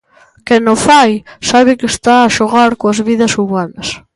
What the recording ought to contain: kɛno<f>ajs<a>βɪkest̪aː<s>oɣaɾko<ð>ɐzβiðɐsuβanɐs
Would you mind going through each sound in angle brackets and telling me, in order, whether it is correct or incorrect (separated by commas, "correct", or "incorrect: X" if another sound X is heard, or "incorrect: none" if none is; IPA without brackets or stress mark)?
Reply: correct, correct, incorrect: ʃ, incorrect: none